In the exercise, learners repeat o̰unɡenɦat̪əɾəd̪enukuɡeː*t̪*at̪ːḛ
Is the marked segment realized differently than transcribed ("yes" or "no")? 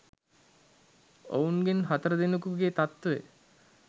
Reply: no